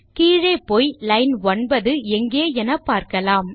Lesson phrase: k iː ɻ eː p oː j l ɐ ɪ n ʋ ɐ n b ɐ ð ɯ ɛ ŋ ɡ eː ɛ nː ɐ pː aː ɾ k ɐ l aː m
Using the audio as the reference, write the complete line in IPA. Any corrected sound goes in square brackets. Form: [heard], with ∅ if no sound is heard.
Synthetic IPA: k iː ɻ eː p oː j l ɐ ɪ n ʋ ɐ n b ɐ ð ɯ ɛ ŋ ɡ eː ɛ [n] ɐ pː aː ɾ k ɐ l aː m

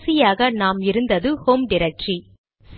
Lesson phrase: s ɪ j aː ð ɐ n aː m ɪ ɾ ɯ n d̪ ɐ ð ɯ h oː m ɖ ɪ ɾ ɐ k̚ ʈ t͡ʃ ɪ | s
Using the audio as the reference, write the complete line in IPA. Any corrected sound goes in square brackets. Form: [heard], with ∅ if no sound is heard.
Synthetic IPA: s ɪ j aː [ɣ] ɐ n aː m ɪ ɾ ɯ n d̪ ɐ ð ɯ h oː m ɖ ɪ ɾ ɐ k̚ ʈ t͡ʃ [i] | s

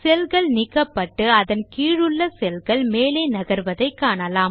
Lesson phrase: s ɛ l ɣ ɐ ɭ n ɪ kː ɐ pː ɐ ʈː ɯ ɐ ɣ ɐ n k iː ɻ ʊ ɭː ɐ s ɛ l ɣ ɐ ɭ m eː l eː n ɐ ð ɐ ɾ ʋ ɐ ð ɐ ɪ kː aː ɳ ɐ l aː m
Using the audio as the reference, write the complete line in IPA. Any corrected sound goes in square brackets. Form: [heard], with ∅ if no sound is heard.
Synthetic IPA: s ɛ l ɣ ɐ ɭ n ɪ kː ɐ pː ɐ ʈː ɯ ɐ [ð] ɐ n k iː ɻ [ɯ] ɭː ɐ s ɛ l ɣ ɐ ɭ m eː l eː n ɐ [ɣ] ɐ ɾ ʋ ɐ ð ɐ ɪ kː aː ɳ ɐ l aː m

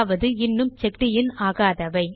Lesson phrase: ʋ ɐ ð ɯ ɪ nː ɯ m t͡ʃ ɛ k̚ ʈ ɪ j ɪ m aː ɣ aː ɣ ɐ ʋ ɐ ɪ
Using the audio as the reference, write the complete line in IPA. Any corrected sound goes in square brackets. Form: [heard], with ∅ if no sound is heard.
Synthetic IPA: ʋ ɐ ð ɯ ɪ nː ɯ m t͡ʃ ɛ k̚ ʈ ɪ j ɪ [n] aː ɣ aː [ð] ɐ ʋ ɐ ɪ

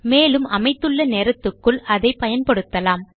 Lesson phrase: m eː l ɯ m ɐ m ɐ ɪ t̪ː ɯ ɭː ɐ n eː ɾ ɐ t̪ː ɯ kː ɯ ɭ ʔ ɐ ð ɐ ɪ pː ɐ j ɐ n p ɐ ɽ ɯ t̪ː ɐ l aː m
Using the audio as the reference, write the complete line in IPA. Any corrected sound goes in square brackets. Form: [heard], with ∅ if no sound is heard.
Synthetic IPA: m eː l ɯ m ɐ m ɐ ɪ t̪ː ɯ ɭː ɐ n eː ɾ ɐ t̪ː ɯ kː ɯ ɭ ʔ ɐ ð ɐ ɪ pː ɐ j ɐ n p ɐ ɽ ɯ t̪ː ɐ l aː m

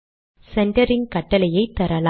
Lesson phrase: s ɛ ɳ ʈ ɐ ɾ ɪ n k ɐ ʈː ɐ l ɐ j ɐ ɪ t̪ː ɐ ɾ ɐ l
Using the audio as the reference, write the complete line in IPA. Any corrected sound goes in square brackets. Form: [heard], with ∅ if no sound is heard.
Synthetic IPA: s ɛ ɳ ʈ ɐ ɾ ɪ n k ɐ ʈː ɐ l ɐ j ɐ ɪ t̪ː ɐ ɾ ɐ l

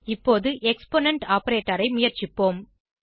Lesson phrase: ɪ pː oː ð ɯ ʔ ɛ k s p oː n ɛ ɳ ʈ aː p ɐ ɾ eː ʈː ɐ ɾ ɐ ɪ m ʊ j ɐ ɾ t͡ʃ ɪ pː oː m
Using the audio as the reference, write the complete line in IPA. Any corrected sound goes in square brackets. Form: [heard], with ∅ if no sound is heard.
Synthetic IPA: ɪ pː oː ð ɯ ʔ ɛ k s p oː n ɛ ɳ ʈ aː p ɐ ɾ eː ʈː ɐ ɾ ɐ ɪ m ʊ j ɐ ɾ t͡ʃ ɪ pː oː m

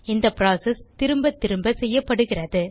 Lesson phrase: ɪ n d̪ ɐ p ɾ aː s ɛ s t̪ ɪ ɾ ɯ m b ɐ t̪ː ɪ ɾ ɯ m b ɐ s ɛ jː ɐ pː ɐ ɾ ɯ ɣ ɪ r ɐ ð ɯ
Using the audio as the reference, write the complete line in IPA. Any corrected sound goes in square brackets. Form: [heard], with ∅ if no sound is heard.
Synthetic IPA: ɪ n d̪ ɐ p ɾ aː s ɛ s t̪ ɪ ɾ ɯ m b ɐ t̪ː ɪ ɾ ɯ m b ɐ s ɛ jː ɐ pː ɐ [ɽ] ɯ ɣ ɪ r ɐ ð ɯ

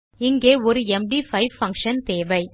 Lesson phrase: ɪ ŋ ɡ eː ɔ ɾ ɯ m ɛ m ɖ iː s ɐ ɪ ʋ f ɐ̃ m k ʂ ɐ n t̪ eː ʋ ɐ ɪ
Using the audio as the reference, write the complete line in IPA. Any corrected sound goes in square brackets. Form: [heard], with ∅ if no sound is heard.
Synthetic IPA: ɪ ŋ ɡ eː ɔ ɾ ɯ [∅] ɛ m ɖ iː [f] ɐ ɪ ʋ f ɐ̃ [ŋ] k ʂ ɐ n t̪ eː ʋ ɐ ɪ

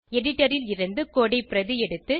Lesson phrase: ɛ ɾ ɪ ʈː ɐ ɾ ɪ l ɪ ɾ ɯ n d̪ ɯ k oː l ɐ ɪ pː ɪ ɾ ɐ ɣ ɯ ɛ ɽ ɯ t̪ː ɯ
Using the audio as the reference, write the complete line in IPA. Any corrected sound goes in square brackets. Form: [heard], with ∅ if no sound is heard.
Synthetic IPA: ɛ [ɽ] ɪ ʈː ɐ ɾ ɪ l ɪ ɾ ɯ n d̪ ɯ k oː [ɽ] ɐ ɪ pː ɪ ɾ ɐ [ð] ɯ ɛ ɽ ɯ t̪ː ɯ

